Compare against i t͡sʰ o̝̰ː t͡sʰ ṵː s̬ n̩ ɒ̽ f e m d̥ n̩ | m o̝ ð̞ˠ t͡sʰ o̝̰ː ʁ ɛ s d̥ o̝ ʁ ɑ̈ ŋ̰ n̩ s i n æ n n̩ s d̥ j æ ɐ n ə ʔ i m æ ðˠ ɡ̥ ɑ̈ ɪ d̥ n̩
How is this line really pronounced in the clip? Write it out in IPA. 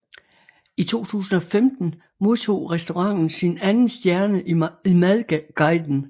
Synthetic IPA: i t͡sʰ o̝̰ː t͡sʰ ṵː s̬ n̩ ɒ̽ f e m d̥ n̩ | m o̝ ð̞ˠ t͡sʰ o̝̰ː ʁ ɛ s d̥ o̝ ʁ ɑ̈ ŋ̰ n̩ s i n æ n n̩ s d̥ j æ ɐ n ə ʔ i m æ ðˠ ɡ̥ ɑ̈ ɪ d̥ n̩